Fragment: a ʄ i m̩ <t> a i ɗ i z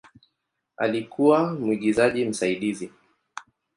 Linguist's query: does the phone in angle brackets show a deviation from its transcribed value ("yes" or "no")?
yes